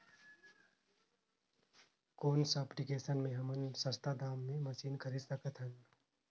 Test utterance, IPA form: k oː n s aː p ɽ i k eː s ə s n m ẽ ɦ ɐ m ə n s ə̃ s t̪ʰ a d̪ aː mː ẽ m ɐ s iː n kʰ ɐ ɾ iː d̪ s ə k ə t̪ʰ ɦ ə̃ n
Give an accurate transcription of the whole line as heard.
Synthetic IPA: k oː n s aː p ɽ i k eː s ə n m ẽ ɦ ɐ m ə n s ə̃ s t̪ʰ a d̪ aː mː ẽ m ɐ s iː n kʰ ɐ ɾ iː d̪ s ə k ə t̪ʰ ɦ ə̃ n